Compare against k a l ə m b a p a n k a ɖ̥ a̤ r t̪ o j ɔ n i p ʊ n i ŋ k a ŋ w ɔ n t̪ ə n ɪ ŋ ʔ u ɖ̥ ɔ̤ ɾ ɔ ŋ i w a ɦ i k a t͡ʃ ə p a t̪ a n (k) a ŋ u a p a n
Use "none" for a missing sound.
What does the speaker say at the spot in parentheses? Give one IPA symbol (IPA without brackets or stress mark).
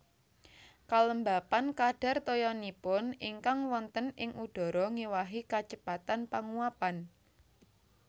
p